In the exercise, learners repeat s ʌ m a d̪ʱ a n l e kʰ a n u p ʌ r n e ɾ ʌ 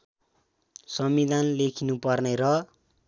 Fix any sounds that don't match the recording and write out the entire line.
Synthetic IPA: s ʌ m i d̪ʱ a n l e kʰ i n u p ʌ r n e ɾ ʌ